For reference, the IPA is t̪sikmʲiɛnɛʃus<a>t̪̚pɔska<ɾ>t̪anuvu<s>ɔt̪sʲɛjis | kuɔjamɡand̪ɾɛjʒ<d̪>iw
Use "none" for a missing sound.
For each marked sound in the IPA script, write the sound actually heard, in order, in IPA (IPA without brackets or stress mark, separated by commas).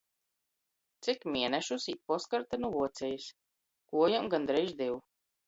i, ɾ, none, d̪